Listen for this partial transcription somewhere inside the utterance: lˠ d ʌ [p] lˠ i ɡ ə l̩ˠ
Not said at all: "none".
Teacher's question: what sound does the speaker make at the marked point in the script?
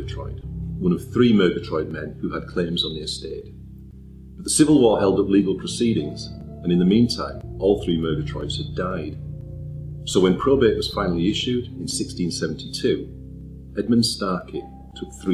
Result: p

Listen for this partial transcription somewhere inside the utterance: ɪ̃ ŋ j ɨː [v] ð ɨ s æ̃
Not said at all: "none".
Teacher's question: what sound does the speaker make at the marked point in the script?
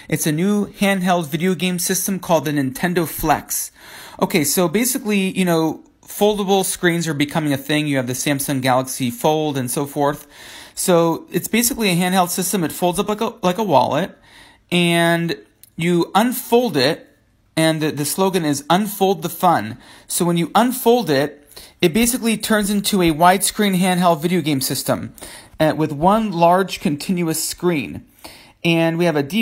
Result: v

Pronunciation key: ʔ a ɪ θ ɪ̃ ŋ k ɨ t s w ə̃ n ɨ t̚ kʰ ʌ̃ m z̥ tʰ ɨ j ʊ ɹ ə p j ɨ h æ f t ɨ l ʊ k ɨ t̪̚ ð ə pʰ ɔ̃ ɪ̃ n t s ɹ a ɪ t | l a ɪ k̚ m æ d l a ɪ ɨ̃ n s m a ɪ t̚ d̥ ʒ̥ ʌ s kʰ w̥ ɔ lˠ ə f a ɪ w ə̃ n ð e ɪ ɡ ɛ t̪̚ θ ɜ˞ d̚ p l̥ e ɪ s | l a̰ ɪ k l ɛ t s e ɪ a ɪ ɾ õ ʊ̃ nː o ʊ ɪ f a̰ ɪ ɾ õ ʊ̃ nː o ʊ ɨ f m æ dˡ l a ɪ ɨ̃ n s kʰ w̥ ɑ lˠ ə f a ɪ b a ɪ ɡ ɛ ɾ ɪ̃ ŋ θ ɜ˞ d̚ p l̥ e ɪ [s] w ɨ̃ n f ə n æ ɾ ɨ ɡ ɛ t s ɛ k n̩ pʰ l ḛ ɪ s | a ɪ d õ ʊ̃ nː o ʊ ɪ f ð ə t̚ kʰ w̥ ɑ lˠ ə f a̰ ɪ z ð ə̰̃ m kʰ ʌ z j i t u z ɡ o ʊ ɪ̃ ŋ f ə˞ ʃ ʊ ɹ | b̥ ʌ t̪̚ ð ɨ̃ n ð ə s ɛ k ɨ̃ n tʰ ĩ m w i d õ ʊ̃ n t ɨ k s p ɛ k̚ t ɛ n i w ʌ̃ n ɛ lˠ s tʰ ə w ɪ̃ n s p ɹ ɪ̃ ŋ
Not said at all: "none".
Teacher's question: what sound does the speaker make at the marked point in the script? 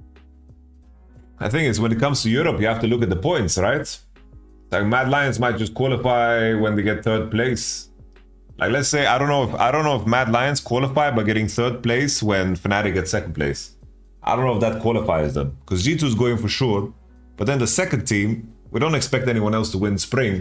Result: s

